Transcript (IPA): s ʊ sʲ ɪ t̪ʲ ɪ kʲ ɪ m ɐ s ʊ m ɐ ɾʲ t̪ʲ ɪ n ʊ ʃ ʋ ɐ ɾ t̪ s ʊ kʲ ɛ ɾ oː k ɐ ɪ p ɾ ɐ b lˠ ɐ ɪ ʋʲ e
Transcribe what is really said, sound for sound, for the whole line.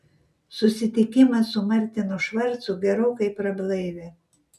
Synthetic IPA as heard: s ʊ sʲ ɪ t̪ʲ ɪ kʲ ɪ m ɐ s ʊ m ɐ ɾʲ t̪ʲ ɪ n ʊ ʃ ʋ ɐ ɾ t̪ s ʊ ɡʲ ɛ ɾ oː k ɐ ɪ p ɾ ɐ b lˠ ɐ ɪ ʋʲ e